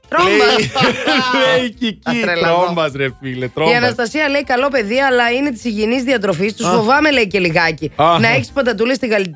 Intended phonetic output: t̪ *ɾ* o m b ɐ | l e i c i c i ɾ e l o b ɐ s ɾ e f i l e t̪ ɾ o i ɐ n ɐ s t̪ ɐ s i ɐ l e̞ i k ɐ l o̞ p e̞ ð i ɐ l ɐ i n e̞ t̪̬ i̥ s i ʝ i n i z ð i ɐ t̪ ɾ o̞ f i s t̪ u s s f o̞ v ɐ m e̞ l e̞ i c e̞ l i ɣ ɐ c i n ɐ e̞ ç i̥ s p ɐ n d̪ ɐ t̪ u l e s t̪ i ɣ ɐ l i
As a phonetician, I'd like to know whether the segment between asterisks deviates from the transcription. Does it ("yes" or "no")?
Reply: no